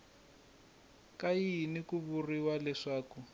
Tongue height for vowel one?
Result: low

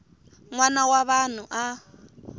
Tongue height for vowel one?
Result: low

